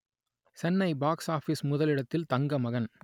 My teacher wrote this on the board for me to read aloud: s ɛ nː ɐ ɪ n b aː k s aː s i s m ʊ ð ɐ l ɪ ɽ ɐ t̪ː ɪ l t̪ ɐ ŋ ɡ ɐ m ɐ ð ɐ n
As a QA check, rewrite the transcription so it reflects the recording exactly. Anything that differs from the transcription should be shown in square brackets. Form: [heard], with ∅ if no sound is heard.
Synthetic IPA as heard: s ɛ nː ɐ ɪ [∅] b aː k s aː [f] i s m ʊ ð ɐ l ɪ ɽ ɐ t̪ː ɪ l t̪ ɐ ŋ ɡ ɐ m ɐ [ɣ] ɐ n